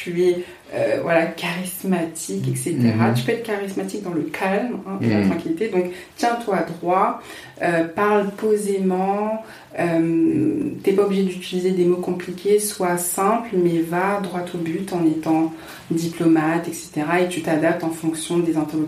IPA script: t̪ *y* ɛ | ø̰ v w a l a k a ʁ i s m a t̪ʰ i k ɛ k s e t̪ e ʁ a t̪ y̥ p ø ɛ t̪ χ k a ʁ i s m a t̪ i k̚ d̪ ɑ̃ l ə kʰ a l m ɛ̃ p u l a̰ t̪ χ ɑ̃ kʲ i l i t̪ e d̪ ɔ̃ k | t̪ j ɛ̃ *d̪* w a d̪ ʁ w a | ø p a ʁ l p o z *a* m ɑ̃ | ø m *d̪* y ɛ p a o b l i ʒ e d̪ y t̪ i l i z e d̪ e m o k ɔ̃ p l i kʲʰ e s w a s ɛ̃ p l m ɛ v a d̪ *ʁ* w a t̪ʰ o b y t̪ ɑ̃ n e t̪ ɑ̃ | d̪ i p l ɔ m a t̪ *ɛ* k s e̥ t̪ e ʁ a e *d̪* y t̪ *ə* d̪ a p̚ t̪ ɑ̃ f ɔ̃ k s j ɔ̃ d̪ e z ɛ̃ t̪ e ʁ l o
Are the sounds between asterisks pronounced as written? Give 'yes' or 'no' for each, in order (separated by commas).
yes, no, no, no, yes, yes, no, no